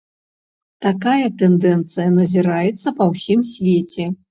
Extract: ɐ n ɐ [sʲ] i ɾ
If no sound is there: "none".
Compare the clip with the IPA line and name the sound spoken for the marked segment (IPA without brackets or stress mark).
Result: zʲ